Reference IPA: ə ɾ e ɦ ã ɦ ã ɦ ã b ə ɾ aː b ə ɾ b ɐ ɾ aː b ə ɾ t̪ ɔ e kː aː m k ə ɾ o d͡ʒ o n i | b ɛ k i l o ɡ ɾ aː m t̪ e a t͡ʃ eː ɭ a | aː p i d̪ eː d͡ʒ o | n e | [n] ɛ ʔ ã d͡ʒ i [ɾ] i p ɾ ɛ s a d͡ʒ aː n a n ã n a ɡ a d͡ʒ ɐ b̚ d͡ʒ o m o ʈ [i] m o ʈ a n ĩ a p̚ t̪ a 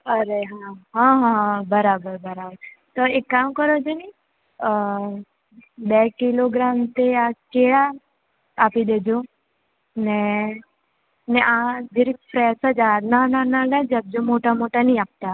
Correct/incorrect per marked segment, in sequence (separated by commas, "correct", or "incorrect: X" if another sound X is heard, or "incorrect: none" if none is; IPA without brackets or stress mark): correct, correct, incorrect: a